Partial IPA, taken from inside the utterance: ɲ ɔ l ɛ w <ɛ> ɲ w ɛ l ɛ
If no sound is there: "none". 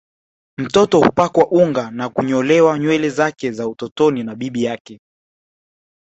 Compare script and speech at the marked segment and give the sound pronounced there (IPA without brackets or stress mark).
a